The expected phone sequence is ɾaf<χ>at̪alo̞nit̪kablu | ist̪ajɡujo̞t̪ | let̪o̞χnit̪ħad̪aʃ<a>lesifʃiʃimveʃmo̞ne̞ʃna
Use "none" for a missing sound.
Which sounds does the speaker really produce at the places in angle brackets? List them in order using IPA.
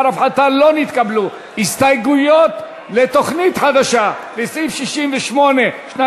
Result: ħ, a

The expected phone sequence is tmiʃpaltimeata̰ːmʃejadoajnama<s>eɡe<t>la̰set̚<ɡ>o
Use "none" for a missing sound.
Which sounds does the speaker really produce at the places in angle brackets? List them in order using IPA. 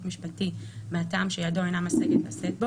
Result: s, t, b

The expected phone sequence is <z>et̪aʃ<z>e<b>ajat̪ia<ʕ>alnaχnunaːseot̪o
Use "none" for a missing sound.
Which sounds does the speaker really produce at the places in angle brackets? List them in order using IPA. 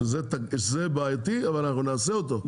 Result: z, z, b, v

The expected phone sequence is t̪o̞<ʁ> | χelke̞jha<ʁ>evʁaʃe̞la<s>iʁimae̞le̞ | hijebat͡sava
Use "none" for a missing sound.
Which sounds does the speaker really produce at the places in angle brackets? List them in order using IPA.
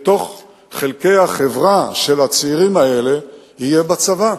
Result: χ, χ, t͡s

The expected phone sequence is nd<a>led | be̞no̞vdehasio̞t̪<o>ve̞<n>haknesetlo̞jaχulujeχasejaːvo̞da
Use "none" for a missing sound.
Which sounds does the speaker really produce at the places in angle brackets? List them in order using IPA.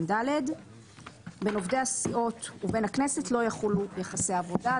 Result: a, u, n

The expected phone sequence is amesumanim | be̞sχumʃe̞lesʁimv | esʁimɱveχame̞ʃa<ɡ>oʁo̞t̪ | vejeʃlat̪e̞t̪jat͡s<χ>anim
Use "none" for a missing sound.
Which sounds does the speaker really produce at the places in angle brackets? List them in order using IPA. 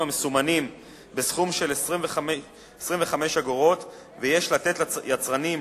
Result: ɡ, ʁ

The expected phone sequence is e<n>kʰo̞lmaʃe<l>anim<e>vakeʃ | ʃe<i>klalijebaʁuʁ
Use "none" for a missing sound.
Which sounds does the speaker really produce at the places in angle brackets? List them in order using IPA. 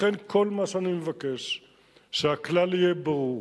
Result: n, none, e, a

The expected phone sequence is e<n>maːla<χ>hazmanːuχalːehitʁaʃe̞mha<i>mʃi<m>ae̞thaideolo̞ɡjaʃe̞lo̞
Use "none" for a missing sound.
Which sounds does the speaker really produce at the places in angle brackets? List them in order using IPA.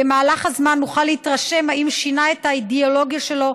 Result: none, χ, i, n

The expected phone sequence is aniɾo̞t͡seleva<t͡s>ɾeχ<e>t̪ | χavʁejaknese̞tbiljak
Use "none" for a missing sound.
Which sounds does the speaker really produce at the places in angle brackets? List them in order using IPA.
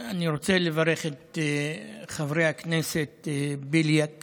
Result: none, e

